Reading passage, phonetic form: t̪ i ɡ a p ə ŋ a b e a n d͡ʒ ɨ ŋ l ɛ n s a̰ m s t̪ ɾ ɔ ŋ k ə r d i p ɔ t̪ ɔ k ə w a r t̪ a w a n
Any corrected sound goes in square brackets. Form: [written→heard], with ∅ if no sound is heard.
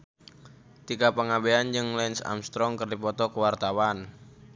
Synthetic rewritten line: t̪ i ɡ a p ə ŋ a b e a n d͡ʒ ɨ ŋ l ɛ n s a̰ m s t̪ ɾ ɔ ŋ k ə r d i p ɔ t̪ ɔ k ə w a r t̪ a w a n